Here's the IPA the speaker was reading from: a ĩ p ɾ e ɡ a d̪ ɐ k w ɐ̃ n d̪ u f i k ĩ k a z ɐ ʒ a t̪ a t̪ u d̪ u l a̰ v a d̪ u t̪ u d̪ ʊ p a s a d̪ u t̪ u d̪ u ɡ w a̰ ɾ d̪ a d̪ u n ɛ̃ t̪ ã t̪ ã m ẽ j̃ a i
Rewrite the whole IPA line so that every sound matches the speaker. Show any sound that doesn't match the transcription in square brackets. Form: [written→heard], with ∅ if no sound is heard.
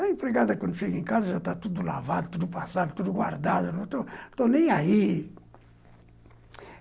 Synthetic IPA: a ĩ p ɾ e ɡ a d̪ ɐ k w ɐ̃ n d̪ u f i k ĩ k a z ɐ ʒ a t̪ a t̪ u d̪ u l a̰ v a d̪ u t̪ u d̪ [ʊ→u] p a s a d̪ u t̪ u d̪ u ɡ w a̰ ɾ d̪ a d̪ u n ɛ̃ t̪ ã t̪ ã [m→n] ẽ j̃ a i